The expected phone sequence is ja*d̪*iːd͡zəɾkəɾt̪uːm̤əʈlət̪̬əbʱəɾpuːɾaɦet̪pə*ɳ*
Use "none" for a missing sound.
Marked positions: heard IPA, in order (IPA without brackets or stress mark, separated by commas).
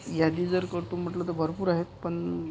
d̪, ɳ